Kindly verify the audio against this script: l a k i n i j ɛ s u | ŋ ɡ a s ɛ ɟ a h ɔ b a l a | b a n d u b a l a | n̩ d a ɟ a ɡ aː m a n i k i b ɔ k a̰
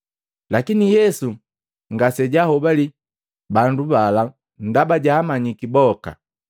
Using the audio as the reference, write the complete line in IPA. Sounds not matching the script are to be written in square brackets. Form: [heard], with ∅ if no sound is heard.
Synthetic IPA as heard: l a k i n i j ɛ s u | ŋ ɡ a s ɛ ɟ a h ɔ b a l [i] | b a n d u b a l a | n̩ d a [b] a [ɟ] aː m a [ɲ] i k i b ɔ k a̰